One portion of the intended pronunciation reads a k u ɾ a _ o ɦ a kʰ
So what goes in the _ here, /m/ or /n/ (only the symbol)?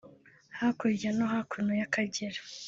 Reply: n